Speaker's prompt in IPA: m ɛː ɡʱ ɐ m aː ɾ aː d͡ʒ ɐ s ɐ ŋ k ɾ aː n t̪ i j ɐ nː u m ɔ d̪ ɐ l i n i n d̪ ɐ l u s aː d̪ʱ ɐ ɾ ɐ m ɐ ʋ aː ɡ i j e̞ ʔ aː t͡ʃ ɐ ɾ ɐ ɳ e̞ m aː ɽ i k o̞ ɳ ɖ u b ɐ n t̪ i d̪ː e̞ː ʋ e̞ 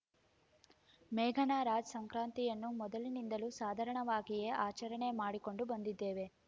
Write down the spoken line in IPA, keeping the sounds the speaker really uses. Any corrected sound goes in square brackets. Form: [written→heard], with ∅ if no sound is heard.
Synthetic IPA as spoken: m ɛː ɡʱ ɐ [m→n] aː ɾ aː d͡ʒ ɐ s ɐ ŋ k ɾ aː n t̪ i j ɐ nː u m ɔ d̪ ɐ l i n i n d̪ ɐ l u s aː d̪ʱ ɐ ɾ ɐ [m→ɳ] ɐ ʋ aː ɡ i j e̞ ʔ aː t͡ʃ ɐ ɾ ɐ ɳ e̞ m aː ɽ i k o̞ ɳ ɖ u b ɐ n [t̪→d̪] i d̪ː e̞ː ʋ e̞